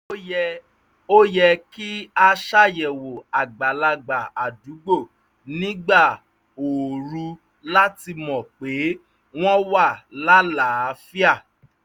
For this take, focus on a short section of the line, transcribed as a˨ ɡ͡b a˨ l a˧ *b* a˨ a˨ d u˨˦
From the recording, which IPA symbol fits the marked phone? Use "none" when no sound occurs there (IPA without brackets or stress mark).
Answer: ɡ͡b